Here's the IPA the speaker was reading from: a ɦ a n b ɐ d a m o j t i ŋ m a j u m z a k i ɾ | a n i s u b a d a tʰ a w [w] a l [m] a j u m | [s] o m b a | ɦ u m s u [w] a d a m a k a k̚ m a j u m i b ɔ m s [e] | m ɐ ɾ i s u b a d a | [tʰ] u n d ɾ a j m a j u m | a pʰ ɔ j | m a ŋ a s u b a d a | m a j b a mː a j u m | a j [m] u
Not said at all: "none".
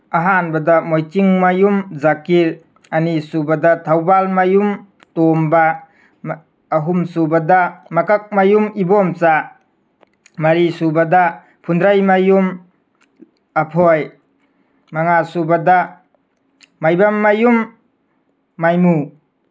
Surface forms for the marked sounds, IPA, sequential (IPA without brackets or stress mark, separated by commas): b, m, t, b, a, pʰ, m